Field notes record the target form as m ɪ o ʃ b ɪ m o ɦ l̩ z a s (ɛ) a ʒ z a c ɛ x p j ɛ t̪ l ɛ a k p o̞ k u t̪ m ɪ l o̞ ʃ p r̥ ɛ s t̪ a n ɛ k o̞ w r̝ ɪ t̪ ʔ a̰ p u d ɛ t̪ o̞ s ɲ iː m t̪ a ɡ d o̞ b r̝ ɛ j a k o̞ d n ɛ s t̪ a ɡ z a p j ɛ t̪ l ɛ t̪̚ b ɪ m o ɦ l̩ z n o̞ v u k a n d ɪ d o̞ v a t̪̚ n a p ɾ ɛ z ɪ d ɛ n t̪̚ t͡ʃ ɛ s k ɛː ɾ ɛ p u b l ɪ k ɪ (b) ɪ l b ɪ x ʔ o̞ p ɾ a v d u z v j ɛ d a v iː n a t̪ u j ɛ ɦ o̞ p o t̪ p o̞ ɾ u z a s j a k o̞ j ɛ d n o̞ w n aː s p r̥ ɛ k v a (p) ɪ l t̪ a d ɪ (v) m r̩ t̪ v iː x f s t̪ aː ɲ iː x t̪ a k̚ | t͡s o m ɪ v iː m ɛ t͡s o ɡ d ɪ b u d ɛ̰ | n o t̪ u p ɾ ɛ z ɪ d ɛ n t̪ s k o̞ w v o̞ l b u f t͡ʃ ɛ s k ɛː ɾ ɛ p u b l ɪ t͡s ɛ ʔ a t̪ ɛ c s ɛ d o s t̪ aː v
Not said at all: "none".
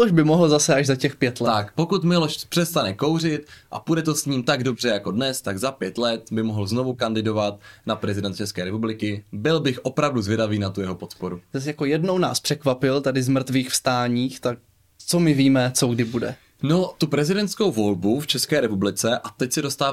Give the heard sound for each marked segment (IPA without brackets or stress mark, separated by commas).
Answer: ɛ, b, p, z